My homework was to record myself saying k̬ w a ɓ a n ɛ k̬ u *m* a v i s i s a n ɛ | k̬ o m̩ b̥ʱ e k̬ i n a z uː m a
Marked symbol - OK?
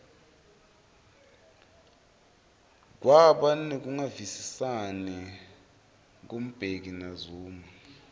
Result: no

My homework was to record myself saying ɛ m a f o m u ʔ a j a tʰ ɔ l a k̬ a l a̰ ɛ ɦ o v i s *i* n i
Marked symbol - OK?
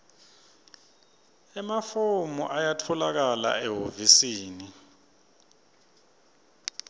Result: no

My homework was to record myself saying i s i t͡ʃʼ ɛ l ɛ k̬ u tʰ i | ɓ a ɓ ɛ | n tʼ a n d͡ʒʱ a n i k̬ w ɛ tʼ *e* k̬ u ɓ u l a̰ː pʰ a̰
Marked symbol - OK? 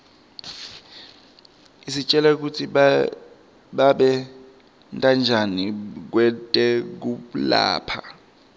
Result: no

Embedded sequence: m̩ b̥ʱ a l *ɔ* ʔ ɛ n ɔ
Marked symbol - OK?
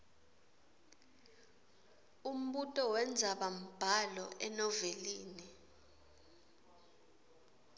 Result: yes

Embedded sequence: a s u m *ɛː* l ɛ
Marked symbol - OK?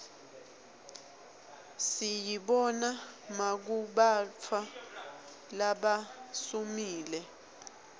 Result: no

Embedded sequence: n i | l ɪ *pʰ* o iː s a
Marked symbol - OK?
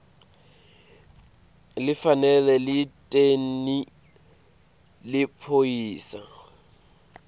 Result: yes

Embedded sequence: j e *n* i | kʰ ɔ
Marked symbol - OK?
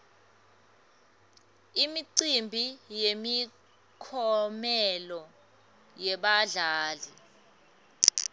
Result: no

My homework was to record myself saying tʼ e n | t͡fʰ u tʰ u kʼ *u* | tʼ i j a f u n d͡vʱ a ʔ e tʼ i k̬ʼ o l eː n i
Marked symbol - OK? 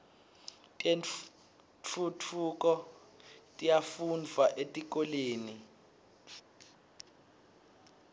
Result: no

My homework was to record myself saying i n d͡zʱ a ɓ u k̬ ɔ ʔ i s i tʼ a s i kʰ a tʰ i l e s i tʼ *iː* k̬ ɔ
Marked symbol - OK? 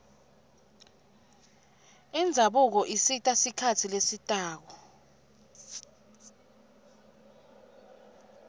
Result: no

